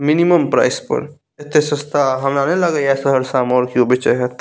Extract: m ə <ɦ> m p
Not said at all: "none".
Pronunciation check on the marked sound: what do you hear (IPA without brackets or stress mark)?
none